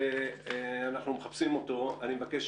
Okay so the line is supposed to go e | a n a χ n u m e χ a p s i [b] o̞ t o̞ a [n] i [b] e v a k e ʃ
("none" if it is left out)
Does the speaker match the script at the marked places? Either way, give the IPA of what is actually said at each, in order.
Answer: m, n, m

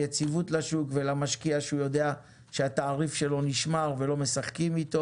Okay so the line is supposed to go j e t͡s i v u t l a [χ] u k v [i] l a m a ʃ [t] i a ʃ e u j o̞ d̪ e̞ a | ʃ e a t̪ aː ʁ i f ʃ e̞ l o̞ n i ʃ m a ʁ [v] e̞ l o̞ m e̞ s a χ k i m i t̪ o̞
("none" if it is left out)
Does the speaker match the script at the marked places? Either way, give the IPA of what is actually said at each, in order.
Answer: ʃ, e, k, v

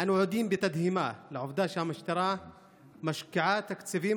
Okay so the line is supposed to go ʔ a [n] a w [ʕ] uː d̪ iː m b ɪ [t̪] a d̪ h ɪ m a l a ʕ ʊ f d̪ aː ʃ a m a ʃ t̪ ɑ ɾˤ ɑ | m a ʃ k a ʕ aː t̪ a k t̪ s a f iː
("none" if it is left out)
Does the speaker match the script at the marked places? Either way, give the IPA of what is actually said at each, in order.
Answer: n, ʕ, t̪

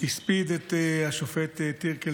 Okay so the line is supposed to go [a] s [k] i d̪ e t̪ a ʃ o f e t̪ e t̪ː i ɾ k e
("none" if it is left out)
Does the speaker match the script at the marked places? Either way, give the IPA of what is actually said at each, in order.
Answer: i, p

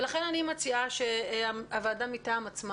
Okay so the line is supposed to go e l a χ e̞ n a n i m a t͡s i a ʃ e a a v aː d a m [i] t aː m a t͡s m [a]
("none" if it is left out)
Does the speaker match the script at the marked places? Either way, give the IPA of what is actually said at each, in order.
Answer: i, a

